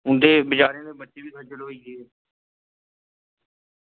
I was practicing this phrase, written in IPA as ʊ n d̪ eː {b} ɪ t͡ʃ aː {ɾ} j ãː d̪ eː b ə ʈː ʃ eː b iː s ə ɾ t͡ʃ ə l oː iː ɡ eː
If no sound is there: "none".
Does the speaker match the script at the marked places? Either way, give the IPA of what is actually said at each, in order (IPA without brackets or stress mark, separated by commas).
b, ɾ